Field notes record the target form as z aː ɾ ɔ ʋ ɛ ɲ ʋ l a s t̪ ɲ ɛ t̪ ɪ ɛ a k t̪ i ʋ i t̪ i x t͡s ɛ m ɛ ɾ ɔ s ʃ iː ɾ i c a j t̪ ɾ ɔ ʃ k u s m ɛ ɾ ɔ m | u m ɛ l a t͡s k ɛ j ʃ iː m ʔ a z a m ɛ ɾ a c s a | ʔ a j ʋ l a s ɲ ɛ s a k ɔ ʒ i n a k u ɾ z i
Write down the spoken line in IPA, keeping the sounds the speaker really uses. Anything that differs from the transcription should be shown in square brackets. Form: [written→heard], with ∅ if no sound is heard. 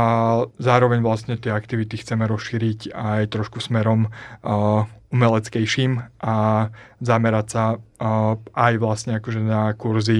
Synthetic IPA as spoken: z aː ɾ ɔ ʋ ɛ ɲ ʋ l a s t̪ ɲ ɛ t̪ ɪ ɛ a k t̪ i ʋ i t̪ i x t͡s ɛ m ɛ ɾ ɔ s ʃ iː ɾ i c a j t̪ ɾ ɔ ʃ k u s m ɛ ɾ ɔ m | u m ɛ l [a→ɛ] t͡s k ɛ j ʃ iː m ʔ a z a m ɛ ɾ a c s a | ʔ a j ʋ l a s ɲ ɛ [s→∅] a k ɔ ʒ [i→ɛ] n a k u ɾ z i